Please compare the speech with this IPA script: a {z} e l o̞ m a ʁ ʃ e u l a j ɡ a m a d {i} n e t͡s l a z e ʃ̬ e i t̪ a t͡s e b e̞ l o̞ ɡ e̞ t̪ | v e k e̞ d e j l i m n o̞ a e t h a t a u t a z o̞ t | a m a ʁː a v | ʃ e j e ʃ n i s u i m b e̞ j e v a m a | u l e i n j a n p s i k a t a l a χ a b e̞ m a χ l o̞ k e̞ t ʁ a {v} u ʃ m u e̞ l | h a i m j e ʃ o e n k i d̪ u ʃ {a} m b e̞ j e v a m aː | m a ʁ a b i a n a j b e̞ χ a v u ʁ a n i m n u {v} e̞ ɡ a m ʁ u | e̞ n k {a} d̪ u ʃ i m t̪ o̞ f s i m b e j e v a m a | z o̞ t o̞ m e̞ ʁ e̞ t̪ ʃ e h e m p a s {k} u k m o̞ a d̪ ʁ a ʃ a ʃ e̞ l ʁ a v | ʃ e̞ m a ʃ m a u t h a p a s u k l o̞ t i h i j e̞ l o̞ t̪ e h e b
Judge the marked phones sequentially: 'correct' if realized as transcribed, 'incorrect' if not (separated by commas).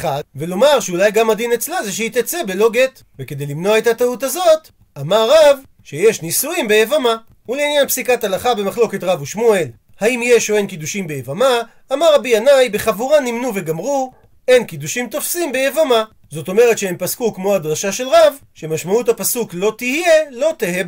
incorrect, correct, correct, incorrect, correct, incorrect, correct